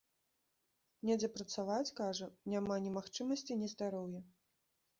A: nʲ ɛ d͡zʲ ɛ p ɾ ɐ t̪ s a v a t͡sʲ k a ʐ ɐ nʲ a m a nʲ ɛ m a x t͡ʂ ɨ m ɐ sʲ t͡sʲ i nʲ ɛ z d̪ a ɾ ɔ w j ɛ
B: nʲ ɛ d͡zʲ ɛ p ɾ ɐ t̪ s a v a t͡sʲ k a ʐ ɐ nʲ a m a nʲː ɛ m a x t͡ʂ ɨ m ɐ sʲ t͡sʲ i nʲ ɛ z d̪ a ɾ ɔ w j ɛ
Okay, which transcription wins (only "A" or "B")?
A